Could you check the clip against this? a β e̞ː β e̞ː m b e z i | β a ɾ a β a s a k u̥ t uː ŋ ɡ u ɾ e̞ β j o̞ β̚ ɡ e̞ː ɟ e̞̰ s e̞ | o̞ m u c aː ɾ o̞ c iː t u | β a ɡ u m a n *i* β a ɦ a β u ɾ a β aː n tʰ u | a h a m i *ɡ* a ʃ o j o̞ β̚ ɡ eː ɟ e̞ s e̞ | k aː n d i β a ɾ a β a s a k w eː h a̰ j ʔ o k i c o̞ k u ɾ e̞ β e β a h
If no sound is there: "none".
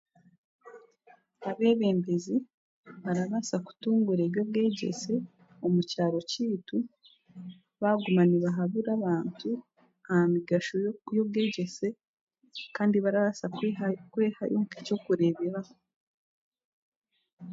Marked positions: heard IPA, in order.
i, ɡ

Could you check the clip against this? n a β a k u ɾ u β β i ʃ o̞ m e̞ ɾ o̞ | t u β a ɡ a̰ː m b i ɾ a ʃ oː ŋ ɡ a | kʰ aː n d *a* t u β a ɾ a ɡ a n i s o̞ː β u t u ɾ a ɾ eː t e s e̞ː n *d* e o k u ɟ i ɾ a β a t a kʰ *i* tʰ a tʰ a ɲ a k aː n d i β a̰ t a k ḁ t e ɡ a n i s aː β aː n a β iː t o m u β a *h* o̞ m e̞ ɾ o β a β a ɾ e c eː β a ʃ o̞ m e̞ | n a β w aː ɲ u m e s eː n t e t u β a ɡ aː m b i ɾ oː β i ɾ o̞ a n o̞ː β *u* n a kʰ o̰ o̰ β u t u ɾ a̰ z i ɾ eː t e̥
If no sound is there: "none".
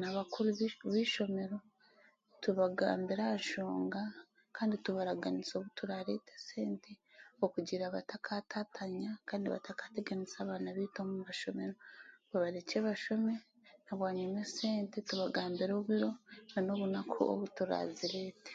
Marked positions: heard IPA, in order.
i, t, a, ʃ, u

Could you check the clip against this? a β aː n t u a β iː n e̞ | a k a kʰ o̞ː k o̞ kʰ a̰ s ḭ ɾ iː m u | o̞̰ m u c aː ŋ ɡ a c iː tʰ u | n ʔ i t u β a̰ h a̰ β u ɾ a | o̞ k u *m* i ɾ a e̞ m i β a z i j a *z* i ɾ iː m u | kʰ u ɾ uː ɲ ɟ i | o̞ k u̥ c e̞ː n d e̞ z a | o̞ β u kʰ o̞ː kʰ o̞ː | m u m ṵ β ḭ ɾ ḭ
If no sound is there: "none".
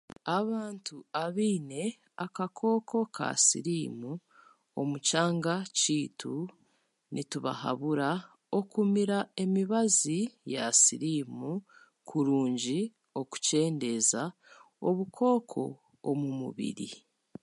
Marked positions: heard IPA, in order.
m, s

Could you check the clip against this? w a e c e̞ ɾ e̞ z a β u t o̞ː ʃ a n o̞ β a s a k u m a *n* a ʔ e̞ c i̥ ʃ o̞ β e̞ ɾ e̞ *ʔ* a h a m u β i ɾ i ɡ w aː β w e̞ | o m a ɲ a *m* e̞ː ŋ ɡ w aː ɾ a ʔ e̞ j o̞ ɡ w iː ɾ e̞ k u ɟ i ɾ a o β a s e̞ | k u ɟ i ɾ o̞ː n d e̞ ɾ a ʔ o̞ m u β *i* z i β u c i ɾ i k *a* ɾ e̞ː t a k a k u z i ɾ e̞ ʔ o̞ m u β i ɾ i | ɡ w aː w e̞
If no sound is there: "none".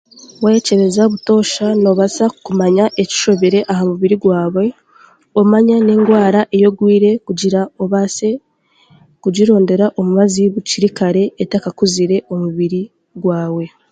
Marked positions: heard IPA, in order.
ɲ, ʔ, n, a, a

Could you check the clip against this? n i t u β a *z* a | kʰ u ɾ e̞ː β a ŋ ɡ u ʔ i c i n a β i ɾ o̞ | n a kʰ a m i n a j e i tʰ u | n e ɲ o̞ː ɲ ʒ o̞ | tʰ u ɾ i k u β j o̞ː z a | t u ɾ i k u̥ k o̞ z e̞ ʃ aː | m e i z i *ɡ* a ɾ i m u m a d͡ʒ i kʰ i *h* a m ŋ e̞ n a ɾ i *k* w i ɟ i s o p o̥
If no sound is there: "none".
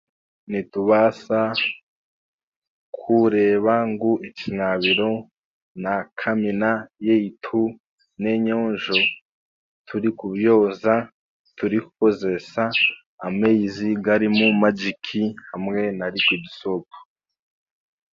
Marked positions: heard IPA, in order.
s, ɡ, h, k

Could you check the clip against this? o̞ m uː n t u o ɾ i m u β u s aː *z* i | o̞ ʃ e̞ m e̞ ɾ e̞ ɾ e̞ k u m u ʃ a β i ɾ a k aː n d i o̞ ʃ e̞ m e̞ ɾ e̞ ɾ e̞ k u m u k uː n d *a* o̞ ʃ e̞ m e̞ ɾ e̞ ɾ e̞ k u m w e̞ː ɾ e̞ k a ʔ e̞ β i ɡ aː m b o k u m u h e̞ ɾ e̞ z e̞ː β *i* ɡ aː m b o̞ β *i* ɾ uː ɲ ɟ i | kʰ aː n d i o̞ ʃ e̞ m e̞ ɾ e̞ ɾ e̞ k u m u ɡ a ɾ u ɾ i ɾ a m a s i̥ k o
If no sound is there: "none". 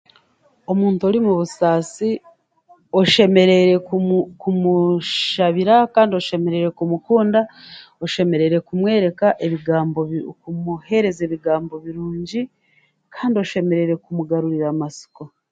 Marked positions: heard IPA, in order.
s, a, i, i

